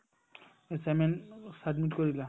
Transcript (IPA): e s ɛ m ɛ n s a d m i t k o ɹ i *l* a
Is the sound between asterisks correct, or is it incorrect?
correct